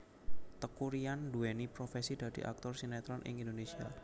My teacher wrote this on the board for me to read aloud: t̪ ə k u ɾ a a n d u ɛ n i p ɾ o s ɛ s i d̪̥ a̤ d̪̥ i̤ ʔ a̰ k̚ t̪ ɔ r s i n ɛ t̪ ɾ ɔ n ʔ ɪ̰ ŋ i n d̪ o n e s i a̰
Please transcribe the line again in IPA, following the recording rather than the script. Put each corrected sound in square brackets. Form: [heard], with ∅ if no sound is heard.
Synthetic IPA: t̪ ə k u ɾ [i] a n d u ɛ n i p ɾ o [f] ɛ s i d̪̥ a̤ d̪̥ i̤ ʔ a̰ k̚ t̪ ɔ r s i n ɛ t̪ ɾ ɔ n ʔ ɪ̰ ŋ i n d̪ o n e s i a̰